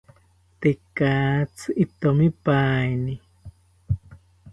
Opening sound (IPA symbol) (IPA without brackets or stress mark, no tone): t̪